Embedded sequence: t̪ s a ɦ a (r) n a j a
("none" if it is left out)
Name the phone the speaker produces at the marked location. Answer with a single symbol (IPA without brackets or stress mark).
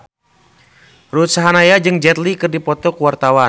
none